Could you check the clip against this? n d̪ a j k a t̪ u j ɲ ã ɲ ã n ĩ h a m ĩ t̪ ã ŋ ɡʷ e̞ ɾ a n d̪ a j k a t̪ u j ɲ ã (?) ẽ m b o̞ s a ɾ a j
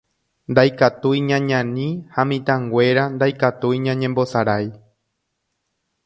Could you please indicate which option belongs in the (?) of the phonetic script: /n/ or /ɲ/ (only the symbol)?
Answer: ɲ